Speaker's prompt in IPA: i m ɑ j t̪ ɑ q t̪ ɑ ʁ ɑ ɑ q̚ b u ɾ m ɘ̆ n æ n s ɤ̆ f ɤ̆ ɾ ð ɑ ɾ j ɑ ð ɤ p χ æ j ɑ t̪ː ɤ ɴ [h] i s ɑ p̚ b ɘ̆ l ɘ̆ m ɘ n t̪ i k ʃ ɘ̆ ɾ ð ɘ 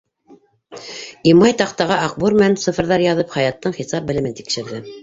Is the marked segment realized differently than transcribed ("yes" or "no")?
yes